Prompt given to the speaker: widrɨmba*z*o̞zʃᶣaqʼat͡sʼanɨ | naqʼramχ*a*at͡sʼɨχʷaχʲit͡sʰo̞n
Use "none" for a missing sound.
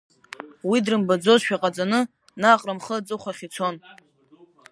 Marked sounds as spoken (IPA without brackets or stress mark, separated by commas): d͡z, ə